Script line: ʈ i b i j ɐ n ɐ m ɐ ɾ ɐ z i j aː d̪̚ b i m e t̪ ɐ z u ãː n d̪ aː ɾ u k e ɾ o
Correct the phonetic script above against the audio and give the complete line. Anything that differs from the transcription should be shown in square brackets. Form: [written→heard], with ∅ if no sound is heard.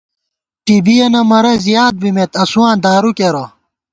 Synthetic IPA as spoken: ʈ i b i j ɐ n ɐ m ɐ ɾ ɐ z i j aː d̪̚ b i m e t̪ ɐ [z→s] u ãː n d̪ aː ɾ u k e ɾ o

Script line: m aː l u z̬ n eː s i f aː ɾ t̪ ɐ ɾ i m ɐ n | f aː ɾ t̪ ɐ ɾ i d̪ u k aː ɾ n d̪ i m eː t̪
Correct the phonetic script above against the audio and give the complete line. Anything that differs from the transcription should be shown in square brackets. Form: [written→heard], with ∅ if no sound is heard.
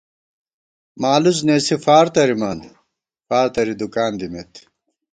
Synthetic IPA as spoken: m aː l u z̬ n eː s i f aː ɾ t̪ ɐ ɾ i m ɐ n | f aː ɾ t̪ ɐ ɾ i d̪ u k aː [ɾ→∅] n d̪ i m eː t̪

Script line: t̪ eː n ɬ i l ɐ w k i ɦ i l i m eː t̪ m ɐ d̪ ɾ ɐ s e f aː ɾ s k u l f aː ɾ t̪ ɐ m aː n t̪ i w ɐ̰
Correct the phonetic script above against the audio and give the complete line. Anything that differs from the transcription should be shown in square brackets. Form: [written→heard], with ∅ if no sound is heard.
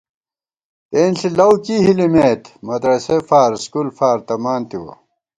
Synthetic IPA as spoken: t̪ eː n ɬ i l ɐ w k i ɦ i l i m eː t̪ m ɐ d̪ ɾ ɐ s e f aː ɾ s k u l f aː ɾ t̪ ɐ m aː n t̪ i w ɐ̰

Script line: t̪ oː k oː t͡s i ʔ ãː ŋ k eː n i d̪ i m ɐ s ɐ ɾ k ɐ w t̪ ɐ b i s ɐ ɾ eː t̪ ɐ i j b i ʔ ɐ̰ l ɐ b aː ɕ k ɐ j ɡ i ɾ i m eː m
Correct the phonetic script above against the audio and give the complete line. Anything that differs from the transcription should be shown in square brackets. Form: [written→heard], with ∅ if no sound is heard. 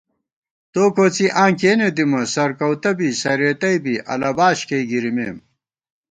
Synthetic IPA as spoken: t̪ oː k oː t͡s i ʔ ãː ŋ k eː n [i→e] d̪ i m ɐ s ɐ ɾ k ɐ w t̪ ɐ b i s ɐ ɾ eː t̪ ɐ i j b i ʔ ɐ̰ l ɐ b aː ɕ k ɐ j ɡ i ɾ i m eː m

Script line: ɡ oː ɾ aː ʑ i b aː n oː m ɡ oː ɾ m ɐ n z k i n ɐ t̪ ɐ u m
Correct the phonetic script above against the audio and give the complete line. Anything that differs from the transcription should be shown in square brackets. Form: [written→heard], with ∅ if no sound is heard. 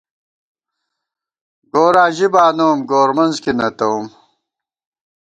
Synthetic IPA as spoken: ɡ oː ɾ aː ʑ i b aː n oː m ɡ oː ɾ m ɐ n z k i n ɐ t̪ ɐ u m

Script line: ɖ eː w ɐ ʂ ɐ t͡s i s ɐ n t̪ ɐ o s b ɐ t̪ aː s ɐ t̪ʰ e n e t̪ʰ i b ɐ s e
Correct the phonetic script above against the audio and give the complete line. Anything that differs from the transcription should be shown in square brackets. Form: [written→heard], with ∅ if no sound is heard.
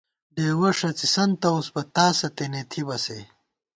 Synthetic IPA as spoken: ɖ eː w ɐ ʂ ɐ t͡s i s ɐ n t̪ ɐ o s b ɐ t̪ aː s ɐ [t̪ʰ→t̪] e n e t̪ʰ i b ɐ s e

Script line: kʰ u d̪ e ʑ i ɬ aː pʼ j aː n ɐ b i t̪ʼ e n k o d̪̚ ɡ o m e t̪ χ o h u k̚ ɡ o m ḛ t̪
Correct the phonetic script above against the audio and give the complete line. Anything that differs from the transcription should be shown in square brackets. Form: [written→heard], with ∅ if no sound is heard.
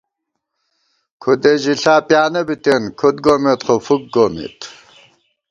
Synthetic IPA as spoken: kʰ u d̪ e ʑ i ɬ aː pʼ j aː n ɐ b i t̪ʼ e n [k→kʰ] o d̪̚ ɡ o m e t̪ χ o [h→f] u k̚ ɡ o m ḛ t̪

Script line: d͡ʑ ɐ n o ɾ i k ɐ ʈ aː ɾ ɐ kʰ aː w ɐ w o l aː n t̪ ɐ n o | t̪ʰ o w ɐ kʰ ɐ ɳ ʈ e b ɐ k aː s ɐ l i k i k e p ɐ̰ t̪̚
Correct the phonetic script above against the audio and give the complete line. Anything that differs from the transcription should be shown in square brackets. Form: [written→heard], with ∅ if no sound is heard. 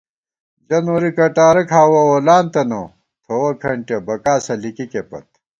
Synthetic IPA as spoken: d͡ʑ ɐ n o ɾ i k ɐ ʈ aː ɾ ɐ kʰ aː w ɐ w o l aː n t̪ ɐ n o | t̪ʰ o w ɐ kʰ ɐ ɳ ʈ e b ɐ k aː s ɐ l i k i k e p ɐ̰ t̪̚

